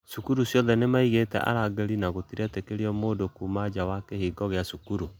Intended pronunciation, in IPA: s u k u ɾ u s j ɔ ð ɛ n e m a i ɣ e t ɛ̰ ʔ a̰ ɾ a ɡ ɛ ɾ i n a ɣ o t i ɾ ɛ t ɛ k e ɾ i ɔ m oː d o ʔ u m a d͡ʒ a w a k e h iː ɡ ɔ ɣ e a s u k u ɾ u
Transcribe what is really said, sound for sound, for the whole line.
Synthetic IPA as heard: s u k u ɾ u s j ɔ ð ɛ n e m a i ɣ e t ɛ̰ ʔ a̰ ɾ a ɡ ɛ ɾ i n a ɣ o t i ɾ ɛ t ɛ k e ɾ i ɔ m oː d o k u m a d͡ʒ a w a k e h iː ɡ ɔ ɣ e a s u k u ɾ u